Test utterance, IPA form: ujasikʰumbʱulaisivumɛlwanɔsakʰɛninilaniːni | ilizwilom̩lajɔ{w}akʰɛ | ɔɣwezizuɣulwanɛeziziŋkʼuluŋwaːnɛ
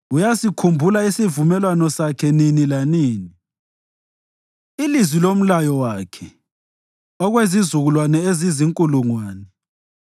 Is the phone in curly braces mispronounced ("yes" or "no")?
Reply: no